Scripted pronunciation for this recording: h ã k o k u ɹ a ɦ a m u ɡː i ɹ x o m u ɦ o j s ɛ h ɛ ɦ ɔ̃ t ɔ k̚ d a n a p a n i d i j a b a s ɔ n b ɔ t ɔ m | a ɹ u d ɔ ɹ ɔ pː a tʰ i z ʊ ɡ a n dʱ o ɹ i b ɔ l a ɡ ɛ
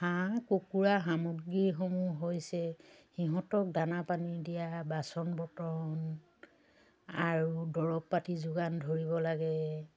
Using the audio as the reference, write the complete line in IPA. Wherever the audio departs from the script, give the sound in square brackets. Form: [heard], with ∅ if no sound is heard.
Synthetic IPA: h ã k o k u ɹ a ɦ a m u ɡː i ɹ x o m u ɦ o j s ɛ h [i] ɦ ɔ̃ t ɔ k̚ d a n a p a n i d i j a b a s ɔ n b ɔ t ɔ [n] | a ɹ u d ɔ ɹ ɔ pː a [t] i z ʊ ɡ a n dʱ o ɹ i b ɔ l a ɡ ɛ